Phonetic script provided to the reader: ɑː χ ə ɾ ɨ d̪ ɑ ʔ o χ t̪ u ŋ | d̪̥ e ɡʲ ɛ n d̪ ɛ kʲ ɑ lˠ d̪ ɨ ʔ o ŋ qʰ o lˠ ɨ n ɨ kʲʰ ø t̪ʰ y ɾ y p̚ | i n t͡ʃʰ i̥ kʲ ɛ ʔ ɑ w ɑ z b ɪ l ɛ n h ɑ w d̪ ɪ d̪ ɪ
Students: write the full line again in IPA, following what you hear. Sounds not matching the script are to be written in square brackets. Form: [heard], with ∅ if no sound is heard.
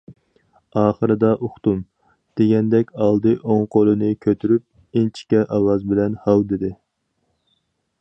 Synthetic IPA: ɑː χ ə ɾ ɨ d̪ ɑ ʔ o χ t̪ u [m] | d̪̥ e ɡʲ ɛ n d̪ ɛ kʲ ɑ lˠ d̪ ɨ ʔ o ŋ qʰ o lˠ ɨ n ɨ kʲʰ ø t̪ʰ y ɾ y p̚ | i n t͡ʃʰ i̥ kʲ ɛ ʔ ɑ w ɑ z b ɪ l ɛ n h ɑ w d̪ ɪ d̪ ɪ